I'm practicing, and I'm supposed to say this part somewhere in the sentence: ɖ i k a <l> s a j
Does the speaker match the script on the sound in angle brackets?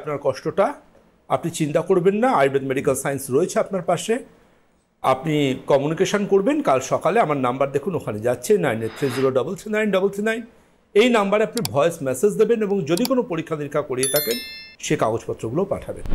yes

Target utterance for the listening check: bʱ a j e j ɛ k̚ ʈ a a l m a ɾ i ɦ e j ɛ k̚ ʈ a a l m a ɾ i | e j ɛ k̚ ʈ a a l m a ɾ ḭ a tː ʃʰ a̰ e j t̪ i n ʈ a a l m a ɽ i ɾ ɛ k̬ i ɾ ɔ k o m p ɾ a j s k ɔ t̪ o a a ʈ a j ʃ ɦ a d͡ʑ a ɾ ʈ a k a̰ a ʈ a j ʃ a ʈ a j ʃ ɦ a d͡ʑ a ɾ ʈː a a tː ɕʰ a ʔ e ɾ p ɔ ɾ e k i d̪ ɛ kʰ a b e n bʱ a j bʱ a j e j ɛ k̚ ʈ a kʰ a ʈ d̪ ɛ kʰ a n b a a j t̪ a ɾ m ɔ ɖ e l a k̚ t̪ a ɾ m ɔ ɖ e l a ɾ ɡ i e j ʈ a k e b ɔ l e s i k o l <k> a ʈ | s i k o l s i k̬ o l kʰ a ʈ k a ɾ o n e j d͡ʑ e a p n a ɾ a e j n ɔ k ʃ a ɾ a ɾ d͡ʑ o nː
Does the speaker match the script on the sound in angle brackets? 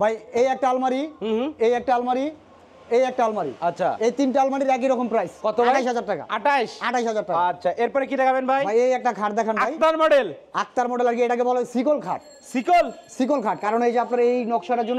no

